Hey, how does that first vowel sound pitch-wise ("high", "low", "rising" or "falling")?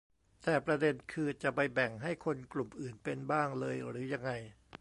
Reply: low